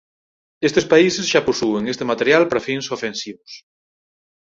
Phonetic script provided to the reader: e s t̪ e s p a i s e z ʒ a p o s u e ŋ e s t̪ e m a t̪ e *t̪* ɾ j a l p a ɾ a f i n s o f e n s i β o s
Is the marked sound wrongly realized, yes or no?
yes